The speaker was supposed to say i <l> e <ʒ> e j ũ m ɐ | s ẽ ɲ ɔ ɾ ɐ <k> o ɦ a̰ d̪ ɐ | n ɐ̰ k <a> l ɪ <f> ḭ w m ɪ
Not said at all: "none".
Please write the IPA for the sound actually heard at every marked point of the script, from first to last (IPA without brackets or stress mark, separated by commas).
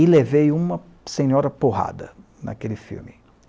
l, v, p, e, f